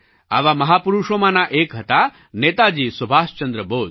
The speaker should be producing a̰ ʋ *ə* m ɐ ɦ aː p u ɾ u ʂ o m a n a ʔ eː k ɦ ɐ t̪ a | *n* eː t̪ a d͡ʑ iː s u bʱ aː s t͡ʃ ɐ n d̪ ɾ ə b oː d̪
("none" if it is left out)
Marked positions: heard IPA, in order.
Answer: a, n

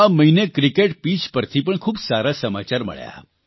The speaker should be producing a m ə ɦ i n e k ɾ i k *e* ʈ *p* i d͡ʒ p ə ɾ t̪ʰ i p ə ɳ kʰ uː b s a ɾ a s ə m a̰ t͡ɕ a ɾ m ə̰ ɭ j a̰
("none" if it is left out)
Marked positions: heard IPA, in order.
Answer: e, p

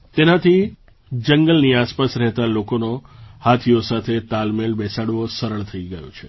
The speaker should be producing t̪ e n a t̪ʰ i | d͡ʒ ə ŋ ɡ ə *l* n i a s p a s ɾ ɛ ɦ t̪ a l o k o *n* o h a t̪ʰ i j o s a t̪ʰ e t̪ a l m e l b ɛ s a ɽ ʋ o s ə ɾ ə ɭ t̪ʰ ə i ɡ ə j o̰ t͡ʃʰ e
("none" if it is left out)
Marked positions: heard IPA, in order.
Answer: l, n

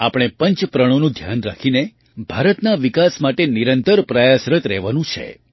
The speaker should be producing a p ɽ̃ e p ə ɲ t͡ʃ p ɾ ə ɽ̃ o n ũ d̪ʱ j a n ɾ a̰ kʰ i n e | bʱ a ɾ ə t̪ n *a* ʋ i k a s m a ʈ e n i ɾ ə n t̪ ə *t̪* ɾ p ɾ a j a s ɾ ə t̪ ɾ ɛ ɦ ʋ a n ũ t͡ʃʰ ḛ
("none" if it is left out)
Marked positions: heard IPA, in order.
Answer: a, none

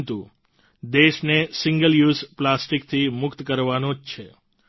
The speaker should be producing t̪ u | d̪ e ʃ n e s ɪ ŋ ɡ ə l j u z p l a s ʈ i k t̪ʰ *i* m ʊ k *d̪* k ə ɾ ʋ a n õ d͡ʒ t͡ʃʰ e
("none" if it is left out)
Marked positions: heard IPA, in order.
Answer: i, t̪

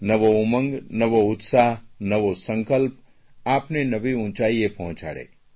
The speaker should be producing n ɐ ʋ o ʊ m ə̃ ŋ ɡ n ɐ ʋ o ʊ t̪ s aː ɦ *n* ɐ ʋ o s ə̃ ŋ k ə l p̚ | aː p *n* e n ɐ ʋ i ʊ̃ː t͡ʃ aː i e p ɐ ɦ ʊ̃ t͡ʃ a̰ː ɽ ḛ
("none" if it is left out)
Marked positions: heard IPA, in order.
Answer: n, n

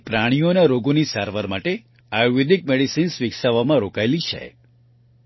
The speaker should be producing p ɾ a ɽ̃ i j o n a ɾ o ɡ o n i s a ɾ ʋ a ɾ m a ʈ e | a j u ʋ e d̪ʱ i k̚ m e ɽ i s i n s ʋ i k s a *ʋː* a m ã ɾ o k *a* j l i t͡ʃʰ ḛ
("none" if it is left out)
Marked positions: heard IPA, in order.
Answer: ʋ, a

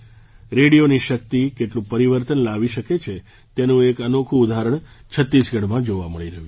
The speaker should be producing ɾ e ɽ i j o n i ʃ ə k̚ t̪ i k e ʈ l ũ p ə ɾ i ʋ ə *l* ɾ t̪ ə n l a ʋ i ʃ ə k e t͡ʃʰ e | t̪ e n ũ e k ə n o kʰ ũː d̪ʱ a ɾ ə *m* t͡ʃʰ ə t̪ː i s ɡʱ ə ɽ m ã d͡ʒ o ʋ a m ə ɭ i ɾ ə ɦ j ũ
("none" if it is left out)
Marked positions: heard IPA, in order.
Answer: none, ɳ

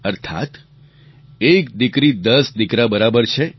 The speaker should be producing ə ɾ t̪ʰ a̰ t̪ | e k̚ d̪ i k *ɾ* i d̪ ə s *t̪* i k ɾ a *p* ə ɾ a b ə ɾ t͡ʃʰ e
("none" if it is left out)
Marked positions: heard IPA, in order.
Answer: ɾ, d̪, b

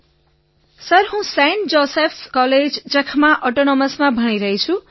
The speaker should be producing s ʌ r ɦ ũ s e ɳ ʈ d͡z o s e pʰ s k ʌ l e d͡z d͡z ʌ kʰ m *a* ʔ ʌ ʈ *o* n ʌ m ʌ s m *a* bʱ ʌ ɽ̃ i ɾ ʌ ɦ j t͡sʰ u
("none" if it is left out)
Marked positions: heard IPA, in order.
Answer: a, o, a

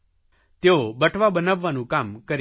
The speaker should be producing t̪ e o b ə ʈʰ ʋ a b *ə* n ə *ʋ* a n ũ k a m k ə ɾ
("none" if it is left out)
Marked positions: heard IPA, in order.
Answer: ə, ʋː

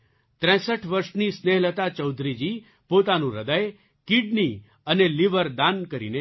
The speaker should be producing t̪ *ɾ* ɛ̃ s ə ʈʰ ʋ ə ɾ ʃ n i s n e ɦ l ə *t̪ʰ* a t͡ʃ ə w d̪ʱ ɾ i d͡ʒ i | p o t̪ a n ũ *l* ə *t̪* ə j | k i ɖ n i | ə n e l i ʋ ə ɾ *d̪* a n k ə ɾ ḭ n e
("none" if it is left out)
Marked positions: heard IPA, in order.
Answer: ɾ, t̪, ɾ, d̪, d̪

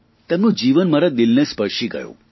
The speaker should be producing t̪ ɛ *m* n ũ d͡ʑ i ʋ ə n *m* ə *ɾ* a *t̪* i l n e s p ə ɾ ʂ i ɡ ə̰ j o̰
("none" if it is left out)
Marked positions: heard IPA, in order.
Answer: m, m, ɾ, d̪

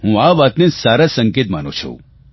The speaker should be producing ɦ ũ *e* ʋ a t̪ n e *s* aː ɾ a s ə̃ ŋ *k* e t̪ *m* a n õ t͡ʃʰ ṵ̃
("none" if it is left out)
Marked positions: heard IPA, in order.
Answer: a, s, k, m

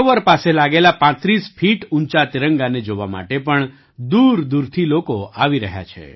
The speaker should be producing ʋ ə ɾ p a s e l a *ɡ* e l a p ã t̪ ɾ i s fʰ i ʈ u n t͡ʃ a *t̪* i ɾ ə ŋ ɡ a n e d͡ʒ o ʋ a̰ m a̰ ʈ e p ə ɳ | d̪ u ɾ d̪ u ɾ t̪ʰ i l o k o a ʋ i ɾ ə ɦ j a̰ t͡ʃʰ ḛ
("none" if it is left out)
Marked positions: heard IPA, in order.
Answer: ɡ, t̪

